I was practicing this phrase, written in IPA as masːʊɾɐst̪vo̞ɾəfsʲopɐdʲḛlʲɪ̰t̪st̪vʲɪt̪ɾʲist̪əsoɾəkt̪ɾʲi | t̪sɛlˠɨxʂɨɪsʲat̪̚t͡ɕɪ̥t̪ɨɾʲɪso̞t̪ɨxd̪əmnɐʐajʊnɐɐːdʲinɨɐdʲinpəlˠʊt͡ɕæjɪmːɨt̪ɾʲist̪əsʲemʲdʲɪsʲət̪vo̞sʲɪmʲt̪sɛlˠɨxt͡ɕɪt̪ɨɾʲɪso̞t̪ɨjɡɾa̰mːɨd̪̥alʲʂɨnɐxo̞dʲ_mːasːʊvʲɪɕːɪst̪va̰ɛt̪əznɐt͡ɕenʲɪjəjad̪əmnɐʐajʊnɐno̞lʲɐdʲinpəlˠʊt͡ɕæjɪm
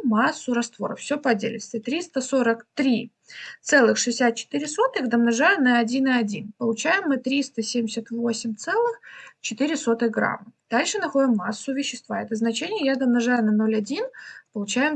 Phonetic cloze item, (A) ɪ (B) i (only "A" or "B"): A